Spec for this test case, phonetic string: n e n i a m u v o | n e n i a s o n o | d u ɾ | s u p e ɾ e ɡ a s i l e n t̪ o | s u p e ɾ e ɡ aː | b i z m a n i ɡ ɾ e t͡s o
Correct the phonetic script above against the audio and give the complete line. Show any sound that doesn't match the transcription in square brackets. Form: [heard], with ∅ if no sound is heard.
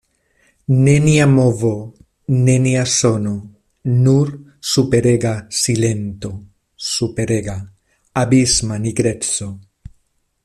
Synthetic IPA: n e n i a m [o] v o | n e n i a s o n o | [n] u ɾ | s u p e ɾ e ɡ a s i l e n t̪ o | s u p e ɾ e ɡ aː | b i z m a n i ɡ ɾ e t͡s o

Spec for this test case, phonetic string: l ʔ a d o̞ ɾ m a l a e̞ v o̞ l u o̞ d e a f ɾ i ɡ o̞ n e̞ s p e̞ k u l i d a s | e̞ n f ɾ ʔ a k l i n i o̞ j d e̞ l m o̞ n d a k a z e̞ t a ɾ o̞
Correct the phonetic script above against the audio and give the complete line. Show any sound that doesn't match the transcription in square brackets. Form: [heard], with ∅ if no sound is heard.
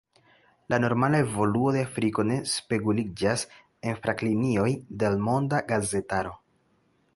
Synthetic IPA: l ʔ a [n] o̞ ɾ m a l a e̞ v o̞ l u o̞ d e a f ɾ i [k] o̞ n e̞ s p e̞ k u l i [d͡ʒ] a s | e̞ n f ɾ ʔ a k l i n i o̞ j d e̞ l m o̞ n d a [ɡ] a z e̞ t a ɾ o̞

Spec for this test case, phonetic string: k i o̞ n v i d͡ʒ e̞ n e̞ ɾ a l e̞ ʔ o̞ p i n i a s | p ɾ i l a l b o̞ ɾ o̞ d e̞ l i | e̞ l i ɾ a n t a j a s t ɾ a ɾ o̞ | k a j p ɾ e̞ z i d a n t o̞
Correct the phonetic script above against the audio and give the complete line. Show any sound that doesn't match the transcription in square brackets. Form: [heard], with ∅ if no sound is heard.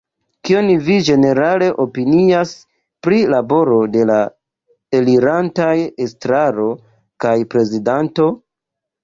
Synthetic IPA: k i o̞ n v i d͡ʒ e̞ n e̞ ɾ a l e̞ ʔ o̞ p i n i a s | p ɾ i l a [∅] b o̞ ɾ o̞ d e̞ l [a] | e̞ l i ɾ a n t a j [e] s t ɾ a ɾ o̞ | k a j p ɾ e̞ z i d a n t o̞

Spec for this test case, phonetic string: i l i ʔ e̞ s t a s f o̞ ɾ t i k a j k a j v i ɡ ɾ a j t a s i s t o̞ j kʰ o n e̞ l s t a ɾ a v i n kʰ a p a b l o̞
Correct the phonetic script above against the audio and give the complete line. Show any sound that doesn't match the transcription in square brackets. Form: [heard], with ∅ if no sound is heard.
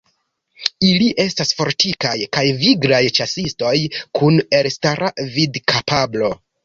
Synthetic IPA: i l i ʔ e̞ s t a s f o̞ ɾ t i k a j k a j v i ɡ ɾ a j [t͡ʃ] a s i s t o̞ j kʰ [u] n e̞ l s t a ɾ a v i [d] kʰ a p a b l o̞

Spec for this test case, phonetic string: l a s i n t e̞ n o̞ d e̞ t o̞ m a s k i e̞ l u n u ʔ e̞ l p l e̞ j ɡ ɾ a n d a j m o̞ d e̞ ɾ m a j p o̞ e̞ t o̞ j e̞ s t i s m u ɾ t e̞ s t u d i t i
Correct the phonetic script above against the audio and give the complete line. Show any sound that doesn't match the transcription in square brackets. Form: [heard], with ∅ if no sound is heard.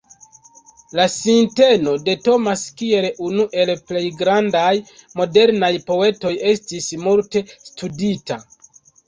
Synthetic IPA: l a s i n t e̞ n o̞ d e̞ t o̞ m a s k i e̞ l u n u ʔ e̞ l p l e̞ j ɡ ɾ a n d a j m o̞ d e̞ ɾ [n] a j p o̞ e̞ t o̞ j e̞ s t i s m u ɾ t e̞ s t u d i t [a]

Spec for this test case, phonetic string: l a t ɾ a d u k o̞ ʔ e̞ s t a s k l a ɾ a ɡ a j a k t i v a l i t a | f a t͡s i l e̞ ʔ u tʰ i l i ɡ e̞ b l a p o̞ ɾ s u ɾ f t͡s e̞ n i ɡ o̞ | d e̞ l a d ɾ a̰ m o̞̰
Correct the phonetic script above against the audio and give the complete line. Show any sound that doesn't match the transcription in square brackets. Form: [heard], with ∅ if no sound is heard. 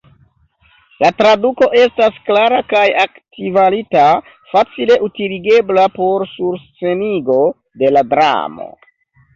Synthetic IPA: l a t ɾ a d u k o̞ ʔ e̞ s t a s k l a ɾ a [k] a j a k t i v a l i t a | f a t͡s i l e̞ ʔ u [t] i l i ɡ e̞ b l a p o̞ ɾ s u ɾ [s] t͡s e̞ n i ɡ o̞ | d e̞ l a d ɾ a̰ m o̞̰

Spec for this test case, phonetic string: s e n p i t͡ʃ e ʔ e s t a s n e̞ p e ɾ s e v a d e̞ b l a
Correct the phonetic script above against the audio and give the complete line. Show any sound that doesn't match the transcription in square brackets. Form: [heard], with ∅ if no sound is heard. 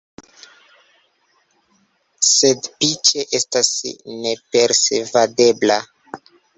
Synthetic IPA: s e [d] p i t͡ʃ e ʔ e s t a s n e̞ p e ɾ s e v a d e̞ b l a

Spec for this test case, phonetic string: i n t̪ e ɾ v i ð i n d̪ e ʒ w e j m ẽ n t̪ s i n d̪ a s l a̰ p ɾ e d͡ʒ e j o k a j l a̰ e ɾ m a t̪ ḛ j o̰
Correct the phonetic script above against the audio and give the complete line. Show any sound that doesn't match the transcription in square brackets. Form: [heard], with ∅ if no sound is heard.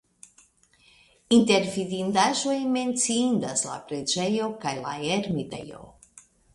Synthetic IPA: i n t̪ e ɾ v i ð i n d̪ [a] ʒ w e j m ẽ n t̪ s i n d̪ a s l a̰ p ɾ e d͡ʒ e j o k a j l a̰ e ɾ m [i] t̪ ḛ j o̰

